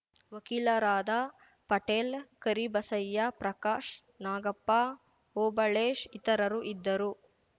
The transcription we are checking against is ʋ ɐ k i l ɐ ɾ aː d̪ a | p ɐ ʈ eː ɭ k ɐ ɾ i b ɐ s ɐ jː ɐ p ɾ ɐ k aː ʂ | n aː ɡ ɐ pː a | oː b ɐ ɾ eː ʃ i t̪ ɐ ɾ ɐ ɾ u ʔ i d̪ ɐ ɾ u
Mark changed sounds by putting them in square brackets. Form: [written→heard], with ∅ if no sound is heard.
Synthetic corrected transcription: ʋ ɐ k i l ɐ ɾ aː d̪ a | p ɐ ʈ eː [ɭ→l] k ɐ ɾ i b ɐ s ɐ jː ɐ p ɾ ɐ k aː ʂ | n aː ɡ ɐ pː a | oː b ɐ [ɾ→ɭ] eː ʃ i t̪ ɐ ɾ ɐ ɾ u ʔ i [d̪→d̪ː] ɐ ɾ u